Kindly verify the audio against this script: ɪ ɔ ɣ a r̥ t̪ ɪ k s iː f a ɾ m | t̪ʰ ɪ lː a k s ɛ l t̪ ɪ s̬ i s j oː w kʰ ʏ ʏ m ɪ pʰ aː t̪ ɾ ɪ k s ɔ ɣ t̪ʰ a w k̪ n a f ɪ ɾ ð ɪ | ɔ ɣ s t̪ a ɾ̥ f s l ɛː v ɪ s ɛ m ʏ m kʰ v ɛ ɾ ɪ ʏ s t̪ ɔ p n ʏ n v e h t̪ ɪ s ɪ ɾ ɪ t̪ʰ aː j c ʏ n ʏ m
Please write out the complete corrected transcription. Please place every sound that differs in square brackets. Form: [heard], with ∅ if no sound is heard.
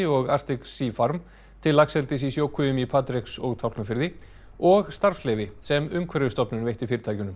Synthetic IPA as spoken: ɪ ɔ ɣ a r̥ t̪ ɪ k s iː f a ɾ m | t̪ʰ ɪ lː a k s ɛ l t̪ ɪ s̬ i s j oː w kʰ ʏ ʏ m [i] pʰ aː t̪ ɾ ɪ k s ɔ ɣ t̪ʰ a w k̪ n a f ɪ ɾ ð ɪ | ɔ ɣ s t̪ a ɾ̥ f s l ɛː v ɪ s ɛ m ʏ m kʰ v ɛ ɾ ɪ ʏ s t̪ ɔ p n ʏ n v e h t̪ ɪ [f] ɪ ɾ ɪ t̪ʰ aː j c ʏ n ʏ m

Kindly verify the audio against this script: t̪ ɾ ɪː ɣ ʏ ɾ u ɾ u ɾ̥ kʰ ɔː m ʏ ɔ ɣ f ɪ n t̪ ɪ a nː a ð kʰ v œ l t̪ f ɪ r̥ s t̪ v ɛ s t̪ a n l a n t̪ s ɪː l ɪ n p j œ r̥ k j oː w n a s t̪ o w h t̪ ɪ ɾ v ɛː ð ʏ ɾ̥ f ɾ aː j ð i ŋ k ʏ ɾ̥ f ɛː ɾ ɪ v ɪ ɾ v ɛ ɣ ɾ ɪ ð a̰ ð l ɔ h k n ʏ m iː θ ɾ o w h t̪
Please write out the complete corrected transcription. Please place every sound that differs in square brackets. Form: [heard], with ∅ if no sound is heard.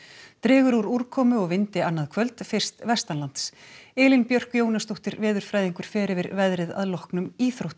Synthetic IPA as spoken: t̪ ɾ ɪː ɣ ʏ ɾ u ɾ u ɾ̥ kʰ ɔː m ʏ ɔ ɣ [v] ɪ n t̪ ɪ a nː a ð kʰ v œ l t̪ f ɪ r̥ s t̪ v ɛ s t̪ a n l a n t̪ s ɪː l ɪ n p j œ r̥ k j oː w n a s t̪ o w h t̪ ɪ ɾ v ɛː ð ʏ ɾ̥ f ɾ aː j ð i ŋ k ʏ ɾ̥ f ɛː ɾ ɪ v ɪ ɾ v ɛ [ð] ɾ ɪ ð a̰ ð l ɔ h k n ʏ m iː θ ɾ o w h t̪

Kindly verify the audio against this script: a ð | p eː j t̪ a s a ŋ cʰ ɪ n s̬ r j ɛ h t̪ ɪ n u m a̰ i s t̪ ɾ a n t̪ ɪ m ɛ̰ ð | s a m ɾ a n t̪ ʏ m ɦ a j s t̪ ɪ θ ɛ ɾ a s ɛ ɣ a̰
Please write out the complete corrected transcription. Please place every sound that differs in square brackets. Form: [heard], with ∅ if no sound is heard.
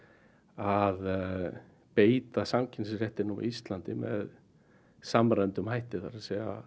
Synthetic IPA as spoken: a ð | p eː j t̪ a s a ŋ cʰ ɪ n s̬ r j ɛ h t̪ ɪ n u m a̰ i s t̪ [l] a n t̪ ɪ m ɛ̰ ð | s a m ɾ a n t̪ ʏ m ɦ a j [h] t̪ ɪ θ [a] ɾ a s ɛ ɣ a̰

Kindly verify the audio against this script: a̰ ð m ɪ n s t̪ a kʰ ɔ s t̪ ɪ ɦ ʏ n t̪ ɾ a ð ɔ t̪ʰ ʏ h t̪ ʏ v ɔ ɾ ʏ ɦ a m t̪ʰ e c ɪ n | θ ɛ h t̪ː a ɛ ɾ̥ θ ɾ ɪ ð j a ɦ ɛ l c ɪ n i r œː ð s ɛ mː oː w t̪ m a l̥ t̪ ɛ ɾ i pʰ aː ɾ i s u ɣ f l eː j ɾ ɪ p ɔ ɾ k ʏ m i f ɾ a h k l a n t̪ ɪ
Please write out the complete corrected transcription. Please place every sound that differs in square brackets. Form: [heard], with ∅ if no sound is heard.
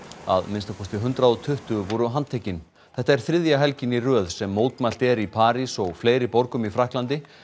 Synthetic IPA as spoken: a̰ ð m ɪ n s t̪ a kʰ ɔ s t̪ ɪ ɦ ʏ n t̪ ɾ a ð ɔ t̪ʰ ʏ h t̪ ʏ v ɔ ɾ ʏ ɦ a [n] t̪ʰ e c ɪ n | θ ɛ h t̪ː a ɛ ɾ̥ θ ɾ ɪ ð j a ɦ ɛ l c ɪ n i r œː ð s ɛ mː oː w t̪ m a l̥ t̪ ɛ ɾ i pʰ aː ɾ i s [ɔ] ɣ f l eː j ɾ ɪ p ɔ ɾ k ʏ m i f ɾ a h k l a n t̪ ɪ

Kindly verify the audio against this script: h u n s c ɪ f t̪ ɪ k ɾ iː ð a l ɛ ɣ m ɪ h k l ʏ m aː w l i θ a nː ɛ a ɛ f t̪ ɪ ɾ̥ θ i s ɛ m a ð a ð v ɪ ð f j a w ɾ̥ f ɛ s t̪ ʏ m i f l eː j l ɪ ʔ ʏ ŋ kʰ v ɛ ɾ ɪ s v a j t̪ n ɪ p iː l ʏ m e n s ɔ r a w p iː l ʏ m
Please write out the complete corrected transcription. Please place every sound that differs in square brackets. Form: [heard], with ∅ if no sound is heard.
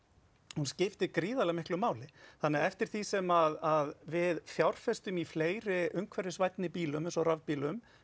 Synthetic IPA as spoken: h u n s c ɪ f t̪ ɪ k ɾ iː ð a l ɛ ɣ m ɪ h k l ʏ m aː w l [ɪ] θ a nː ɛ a ɛ f t̪ ɪ ɾ̥ θ i s ɛ m a ð a ð v ɪ ð f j a w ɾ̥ f ɛ s t̪ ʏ m i f l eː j [ɾ] ɪ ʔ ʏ ŋ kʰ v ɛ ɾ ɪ s v a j t̪ n ɪ p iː l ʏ m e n s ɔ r a [v] p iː l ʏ m

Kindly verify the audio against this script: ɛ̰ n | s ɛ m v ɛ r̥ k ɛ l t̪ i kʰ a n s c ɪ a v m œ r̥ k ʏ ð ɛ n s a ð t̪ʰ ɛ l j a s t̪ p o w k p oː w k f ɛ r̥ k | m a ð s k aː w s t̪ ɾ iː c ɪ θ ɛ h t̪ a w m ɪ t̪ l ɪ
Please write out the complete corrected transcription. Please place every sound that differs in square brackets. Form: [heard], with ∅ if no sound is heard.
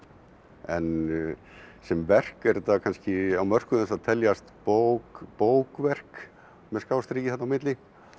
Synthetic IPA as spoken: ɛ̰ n | s ɛ m v ɛ r̥ k ɛ [ɾ] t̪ [a] kʰ a n s c ɪ a [w] m œ r̥ k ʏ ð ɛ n s a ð t̪ʰ ɛ l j a s t̪ p o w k p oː w k [v] ɛ r̥ k | m [ɛ] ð s k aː w s t̪ ɾ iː c ɪ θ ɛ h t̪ a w m ɪ t̪ l ɪ

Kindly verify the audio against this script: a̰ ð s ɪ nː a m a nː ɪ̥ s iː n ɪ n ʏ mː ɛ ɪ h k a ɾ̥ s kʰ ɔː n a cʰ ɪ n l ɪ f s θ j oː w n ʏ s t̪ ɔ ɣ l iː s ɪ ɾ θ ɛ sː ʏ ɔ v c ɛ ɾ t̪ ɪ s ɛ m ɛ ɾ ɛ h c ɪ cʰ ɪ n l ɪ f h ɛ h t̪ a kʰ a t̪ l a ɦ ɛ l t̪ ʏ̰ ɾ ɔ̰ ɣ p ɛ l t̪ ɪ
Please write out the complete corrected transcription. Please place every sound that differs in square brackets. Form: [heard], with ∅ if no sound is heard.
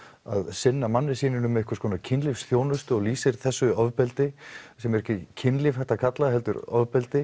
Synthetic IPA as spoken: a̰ ð s ɪ nː a m a nː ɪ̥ s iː n ɪ n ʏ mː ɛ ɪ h k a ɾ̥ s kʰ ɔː n a cʰ ɪ n l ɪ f s θ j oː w n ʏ s t̪ ɔ ɣ l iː s ɪ ɾ θ ɛ sː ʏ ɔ v [p] ɛ [l] t̪ ɪ s ɛ m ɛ ɾ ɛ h c ɪ cʰ ɪ n l ɪ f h ɛ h t̪ a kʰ a t̪ l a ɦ ɛ l t̪ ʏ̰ ɾ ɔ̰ [v] p ɛ l t̪ ɪ

